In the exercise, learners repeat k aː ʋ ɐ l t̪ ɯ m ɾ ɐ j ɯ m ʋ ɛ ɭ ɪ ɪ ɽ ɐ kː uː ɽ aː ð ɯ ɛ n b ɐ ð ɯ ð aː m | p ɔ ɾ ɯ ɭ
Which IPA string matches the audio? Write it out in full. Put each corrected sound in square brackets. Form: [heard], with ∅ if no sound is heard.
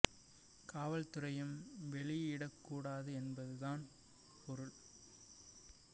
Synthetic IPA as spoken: k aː ʋ ɐ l t̪ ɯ [∅] ɾ ɐ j ɯ m ʋ ɛ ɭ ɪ ɪ ɽ ɐ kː uː ɽ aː ð ɯ ɛ n b ɐ ð ɯ ð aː [n] | p ɔ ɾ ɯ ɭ